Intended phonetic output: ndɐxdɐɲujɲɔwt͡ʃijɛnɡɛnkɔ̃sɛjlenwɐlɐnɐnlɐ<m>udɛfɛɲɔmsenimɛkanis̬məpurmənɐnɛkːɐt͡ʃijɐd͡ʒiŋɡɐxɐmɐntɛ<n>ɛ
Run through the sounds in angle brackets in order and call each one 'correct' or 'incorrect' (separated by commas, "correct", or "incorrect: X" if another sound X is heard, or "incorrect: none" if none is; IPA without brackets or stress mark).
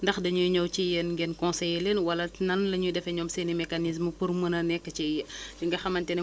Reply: incorrect: ɲ, correct